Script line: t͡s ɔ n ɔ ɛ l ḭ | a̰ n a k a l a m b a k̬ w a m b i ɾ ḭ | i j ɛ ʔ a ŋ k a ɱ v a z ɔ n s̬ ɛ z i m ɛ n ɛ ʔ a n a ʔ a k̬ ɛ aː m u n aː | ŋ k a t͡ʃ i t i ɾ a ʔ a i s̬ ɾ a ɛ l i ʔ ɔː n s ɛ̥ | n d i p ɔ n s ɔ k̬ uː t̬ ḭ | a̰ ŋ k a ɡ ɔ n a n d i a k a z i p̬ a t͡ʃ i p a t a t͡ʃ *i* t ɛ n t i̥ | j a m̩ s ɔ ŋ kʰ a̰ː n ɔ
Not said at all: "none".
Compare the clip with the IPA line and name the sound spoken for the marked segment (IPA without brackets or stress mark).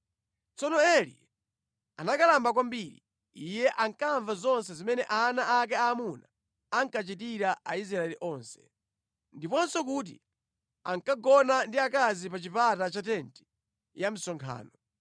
a